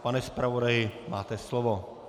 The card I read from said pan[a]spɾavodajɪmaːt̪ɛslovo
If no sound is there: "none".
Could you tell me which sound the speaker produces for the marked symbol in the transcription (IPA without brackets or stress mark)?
ɛ